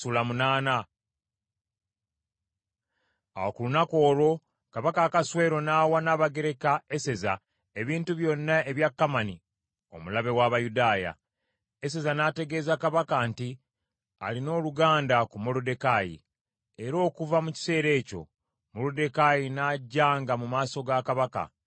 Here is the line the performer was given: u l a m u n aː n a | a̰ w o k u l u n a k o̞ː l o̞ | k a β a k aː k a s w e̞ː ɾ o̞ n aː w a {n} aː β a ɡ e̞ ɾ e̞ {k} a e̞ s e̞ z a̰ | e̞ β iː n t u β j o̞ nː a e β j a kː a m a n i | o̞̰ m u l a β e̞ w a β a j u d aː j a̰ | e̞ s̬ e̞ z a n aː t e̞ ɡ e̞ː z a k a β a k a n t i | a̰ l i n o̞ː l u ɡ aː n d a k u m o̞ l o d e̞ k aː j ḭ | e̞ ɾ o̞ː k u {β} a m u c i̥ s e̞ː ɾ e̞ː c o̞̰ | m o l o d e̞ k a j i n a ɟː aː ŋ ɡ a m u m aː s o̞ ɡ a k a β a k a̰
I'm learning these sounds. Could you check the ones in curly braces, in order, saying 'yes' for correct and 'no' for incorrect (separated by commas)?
yes, yes, no